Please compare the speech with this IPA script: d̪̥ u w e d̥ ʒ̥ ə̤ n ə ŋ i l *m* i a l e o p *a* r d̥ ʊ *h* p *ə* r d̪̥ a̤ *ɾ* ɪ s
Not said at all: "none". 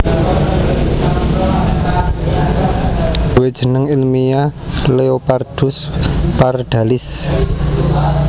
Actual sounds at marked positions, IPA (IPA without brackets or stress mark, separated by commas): m, a, s, a, l